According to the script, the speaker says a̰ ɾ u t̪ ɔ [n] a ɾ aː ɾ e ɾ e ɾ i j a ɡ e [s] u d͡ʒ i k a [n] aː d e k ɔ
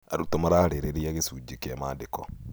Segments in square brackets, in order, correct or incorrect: incorrect, correct, incorrect

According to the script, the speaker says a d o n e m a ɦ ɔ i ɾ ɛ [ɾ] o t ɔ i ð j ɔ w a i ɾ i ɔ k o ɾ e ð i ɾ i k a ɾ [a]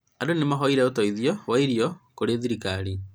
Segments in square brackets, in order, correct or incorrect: incorrect, incorrect

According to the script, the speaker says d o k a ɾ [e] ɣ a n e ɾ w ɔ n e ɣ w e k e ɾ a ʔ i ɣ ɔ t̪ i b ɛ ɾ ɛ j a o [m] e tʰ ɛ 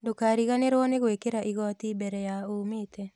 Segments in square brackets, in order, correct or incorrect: incorrect, correct

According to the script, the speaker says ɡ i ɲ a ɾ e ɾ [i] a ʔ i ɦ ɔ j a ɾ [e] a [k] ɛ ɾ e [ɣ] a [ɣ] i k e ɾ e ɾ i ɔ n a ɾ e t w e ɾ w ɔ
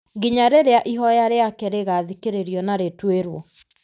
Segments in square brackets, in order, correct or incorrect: incorrect, correct, correct, correct, incorrect

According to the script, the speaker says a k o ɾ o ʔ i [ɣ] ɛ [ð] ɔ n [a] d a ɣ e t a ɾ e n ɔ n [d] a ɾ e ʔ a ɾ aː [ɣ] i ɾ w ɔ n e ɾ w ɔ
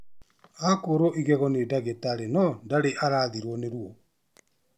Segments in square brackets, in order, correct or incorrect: correct, incorrect, incorrect, correct, incorrect

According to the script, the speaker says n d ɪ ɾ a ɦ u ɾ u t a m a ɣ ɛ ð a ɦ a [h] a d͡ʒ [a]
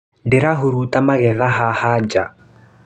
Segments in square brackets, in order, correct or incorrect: correct, correct

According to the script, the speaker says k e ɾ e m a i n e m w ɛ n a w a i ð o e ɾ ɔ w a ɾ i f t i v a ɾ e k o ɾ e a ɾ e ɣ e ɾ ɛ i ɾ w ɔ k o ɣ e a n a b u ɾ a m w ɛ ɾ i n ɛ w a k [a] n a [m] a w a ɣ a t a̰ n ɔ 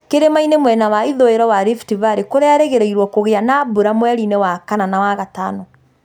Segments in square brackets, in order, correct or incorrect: correct, incorrect

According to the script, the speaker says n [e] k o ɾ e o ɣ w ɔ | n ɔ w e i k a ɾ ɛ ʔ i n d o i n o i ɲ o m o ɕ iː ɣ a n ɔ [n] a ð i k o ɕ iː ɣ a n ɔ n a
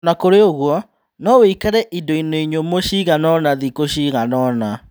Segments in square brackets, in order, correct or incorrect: incorrect, correct

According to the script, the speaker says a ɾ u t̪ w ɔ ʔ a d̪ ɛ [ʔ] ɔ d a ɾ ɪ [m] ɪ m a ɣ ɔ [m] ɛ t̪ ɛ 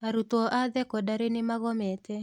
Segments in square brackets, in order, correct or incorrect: incorrect, incorrect, correct

